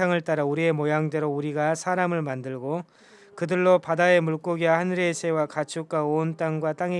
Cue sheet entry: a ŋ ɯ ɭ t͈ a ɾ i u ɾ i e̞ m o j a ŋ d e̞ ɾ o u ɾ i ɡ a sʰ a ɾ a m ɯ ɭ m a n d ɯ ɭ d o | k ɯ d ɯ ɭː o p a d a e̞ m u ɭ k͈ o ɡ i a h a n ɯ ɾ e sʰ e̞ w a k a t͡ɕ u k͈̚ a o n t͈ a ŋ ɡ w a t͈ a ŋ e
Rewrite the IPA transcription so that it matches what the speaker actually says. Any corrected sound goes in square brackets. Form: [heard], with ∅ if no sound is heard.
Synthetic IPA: a ŋ ɯ ɭ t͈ a ɾ [a] u ɾ i e̞ m o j a ŋ d e̞ ɾ o u ɾ i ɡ a sʰ a ɾ a m ɯ ɭ m a n d ɯ ɭ [ɡ] o | k ɯ d ɯ ɭː o p a d a e̞ m u ɭ k͈ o ɡ i a h a n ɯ ɾ e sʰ e̞ w a k a [t͡ɕʰ] u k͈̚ a o n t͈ a ŋ ɡ w a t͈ a ŋ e

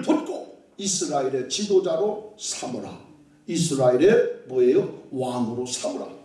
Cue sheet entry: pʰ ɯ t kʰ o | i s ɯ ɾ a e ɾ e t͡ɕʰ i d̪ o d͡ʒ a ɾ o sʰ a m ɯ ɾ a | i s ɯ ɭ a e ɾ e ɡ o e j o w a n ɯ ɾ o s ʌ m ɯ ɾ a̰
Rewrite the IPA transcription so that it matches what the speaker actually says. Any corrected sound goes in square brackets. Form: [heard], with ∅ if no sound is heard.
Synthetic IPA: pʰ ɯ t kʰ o | i s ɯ ɾ a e ɾ e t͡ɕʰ i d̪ o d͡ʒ a ɾ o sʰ a m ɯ ɾ a | i s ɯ [ɾ] a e ɾ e [b] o e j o w a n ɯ ɾ o s [a] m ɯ ɾ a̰

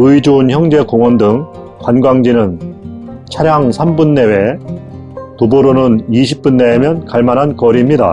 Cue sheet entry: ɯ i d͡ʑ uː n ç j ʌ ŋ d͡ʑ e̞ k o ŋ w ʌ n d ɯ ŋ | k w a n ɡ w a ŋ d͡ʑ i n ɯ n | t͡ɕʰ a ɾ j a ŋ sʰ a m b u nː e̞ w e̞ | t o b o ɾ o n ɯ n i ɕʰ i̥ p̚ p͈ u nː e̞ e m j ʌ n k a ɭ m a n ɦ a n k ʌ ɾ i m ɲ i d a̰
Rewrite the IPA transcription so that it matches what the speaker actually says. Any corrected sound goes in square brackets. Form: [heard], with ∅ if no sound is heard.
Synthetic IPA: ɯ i d͡ʑ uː n ç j ʌ ŋ d͡ʑ e̞ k o ŋ w ʌ n d ɯ ŋ | k w a n ɡ w a ŋ d͡ʑ i n ɯ n | t͡ɕʰ a ɾ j a ŋ sʰ a m b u nː e̞ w e̞ | t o b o ɾ o n ɯ n i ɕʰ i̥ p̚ p͈ u nː e̞ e m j ʌ n k a ɭ m a n ɦ a n k ʌ ɾ i m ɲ i d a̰

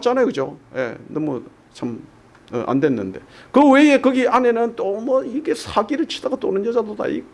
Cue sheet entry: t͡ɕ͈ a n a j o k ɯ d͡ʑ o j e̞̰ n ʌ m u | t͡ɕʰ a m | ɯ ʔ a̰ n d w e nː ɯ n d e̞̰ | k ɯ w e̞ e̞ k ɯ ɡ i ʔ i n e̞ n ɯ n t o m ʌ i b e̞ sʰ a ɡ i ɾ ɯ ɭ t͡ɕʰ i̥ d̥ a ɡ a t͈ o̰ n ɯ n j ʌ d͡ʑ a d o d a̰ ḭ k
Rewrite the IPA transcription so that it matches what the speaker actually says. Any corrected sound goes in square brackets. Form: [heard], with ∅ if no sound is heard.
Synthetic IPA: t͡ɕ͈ a n a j o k ɯ d͡ʑ o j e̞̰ n ʌ m u | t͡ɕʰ a m | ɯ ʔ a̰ n d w e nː ɯ n d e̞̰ | k ɯ w e̞ e̞ k ɯ ɡ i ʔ [a] n e̞ n ɯ n t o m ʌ i [ɡ] e̞ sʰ a ɡ i ɾ ɯ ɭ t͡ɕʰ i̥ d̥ a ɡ a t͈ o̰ n ɯ n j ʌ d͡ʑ a d o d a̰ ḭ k

